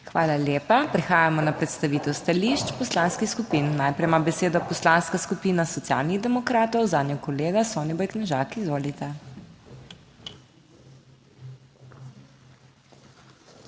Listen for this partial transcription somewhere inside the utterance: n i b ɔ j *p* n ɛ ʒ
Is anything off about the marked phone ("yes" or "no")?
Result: yes